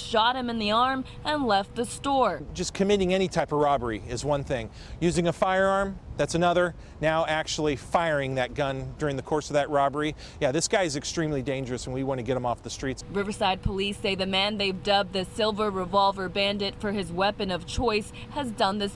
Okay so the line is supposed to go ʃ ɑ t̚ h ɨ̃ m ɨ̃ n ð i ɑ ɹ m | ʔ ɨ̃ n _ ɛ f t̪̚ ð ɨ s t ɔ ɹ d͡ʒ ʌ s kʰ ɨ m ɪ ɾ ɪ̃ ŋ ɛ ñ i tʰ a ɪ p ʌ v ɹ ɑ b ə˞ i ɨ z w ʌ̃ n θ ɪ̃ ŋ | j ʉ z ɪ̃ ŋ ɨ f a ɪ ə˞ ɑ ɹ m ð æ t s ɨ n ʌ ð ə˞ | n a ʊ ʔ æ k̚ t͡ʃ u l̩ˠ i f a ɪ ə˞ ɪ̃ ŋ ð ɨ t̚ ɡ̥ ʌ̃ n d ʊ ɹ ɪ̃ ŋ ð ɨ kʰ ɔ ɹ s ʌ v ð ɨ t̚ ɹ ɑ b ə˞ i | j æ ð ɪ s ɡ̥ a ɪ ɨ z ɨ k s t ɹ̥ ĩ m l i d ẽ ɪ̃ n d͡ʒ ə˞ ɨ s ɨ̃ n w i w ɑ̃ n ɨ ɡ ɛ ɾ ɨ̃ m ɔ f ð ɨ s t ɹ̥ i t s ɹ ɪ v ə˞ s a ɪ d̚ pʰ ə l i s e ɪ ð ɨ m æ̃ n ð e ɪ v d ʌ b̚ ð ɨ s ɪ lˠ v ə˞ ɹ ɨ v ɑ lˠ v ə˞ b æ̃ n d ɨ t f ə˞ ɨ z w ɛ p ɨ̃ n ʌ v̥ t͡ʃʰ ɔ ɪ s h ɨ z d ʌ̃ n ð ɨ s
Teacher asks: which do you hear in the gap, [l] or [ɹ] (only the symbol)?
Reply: l